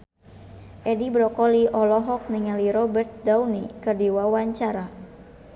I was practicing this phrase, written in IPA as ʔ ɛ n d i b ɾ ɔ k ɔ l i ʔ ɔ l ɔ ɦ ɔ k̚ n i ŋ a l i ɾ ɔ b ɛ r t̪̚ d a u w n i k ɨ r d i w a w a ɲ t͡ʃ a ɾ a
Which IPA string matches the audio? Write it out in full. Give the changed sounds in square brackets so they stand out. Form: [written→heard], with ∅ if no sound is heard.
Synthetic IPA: ʔ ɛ [n→∅] d i b ɾ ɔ k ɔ l i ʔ ɔ l ɔ ɦ ɔ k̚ n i ŋ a l i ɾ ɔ b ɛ r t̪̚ d a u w n i k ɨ r d i w a w a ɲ t͡ʃ a ɾ a

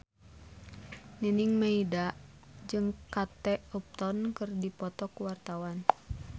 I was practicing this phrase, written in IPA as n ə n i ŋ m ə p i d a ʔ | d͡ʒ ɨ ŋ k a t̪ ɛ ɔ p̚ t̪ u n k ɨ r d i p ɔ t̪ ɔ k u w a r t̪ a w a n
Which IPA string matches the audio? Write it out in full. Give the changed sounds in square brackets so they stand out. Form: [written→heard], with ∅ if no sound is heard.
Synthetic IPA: n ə n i ŋ m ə [p→∅] i d a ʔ | d͡ʒ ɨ ŋ k a t̪ ɛ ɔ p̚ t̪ [u→ɔ] n k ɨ r d i p ɔ t̪ ɔ k u w a r t̪ a w a n

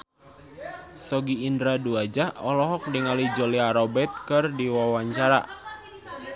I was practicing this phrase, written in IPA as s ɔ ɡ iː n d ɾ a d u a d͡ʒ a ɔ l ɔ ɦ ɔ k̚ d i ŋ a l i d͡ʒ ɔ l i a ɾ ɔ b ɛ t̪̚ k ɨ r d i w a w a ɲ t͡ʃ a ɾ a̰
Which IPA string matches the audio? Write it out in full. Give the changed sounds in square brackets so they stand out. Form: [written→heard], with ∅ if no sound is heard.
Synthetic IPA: s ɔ ɡ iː n d ɾ a d u a d͡ʒ a ɔ l ɔ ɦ ɔ k̚ d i ŋ a l i d͡ʒ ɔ l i a ɾ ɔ b ɛ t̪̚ k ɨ r d i w a w a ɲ t͡ʃ a ɾ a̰

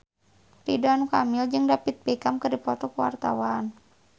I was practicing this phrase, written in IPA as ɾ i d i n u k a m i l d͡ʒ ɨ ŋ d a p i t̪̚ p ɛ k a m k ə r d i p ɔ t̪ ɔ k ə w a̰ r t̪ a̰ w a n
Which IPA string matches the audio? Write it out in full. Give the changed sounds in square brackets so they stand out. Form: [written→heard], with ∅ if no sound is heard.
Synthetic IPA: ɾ i d [i→a] n u k a m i l d͡ʒ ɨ ŋ d a p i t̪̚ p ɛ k a m k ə r d i p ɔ t̪ ɔ k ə w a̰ r t̪ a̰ w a n

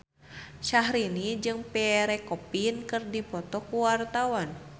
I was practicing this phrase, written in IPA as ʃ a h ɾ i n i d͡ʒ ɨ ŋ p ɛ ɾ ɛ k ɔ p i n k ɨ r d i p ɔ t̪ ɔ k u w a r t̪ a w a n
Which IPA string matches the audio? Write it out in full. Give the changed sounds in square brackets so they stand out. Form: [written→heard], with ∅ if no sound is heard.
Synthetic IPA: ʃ a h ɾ i n i d͡ʒ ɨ ŋ p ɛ ɾ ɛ k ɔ p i n k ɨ r d i p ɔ t̪ ɔ k u w a r t̪ a w a n

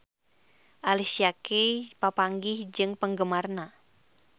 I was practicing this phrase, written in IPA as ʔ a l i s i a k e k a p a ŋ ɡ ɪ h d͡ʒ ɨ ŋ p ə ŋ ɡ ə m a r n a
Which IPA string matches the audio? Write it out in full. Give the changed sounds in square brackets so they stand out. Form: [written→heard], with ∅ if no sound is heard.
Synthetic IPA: ʔ a l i s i a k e [k→p] a p a ŋ ɡ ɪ h d͡ʒ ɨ ŋ p ə ŋ ɡ ə m a r n a

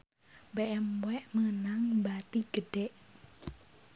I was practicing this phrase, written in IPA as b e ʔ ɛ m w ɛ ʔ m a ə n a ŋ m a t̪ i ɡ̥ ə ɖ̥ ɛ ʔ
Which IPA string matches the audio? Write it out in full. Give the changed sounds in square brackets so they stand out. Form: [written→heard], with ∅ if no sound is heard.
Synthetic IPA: b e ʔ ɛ m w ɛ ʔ m [a→ə] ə n a ŋ [m→b] a t̪ i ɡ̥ ə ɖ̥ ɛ ʔ

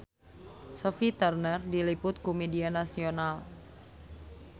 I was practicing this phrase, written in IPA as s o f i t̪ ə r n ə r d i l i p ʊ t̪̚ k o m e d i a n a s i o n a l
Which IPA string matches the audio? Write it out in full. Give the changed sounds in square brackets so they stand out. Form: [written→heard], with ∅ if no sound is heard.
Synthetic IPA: s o f i t̪ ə r n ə r d i l i p ʊ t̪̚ k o m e d i a n a s i o n a l

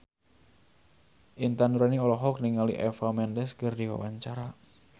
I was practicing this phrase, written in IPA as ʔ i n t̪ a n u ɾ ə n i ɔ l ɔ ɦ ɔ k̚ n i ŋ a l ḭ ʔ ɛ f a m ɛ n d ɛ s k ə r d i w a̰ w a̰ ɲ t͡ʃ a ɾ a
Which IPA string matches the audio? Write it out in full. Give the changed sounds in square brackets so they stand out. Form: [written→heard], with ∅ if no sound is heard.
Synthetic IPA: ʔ i n t̪ a n u ɾ [ə→a] n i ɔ l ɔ ɦ ɔ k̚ n i ŋ a l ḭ ʔ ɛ f a m ɛ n d ɛ s k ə r d i w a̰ w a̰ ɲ t͡ʃ a ɾ a

